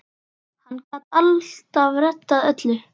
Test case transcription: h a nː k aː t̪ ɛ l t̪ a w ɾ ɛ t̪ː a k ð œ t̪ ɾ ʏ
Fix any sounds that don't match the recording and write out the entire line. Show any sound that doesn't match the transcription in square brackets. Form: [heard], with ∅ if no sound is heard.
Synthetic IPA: h a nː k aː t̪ [a] l t̪ a [v] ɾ ɛ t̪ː a [∅] ð œ t̪ [l] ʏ